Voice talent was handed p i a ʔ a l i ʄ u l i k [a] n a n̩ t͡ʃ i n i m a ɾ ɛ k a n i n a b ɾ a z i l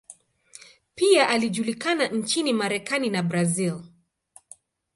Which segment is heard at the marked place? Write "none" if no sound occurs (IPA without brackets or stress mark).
a